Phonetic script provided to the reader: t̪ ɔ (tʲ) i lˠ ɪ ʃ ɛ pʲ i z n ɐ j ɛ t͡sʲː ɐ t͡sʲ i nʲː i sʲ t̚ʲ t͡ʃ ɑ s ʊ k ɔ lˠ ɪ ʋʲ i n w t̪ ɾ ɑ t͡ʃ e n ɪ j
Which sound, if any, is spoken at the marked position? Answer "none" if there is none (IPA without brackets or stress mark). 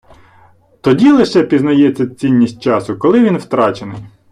dʲ